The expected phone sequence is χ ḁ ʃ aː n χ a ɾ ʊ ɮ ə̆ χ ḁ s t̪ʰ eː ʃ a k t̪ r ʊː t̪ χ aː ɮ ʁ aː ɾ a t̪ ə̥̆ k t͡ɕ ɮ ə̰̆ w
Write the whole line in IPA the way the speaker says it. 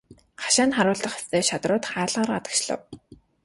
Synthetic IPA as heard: χ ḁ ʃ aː n χ a ɾ ʊː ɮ ə̆ χ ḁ s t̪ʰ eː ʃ a t̪ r ʊː t̪ χ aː ɮ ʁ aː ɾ a t̪ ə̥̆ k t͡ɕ ɮ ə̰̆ w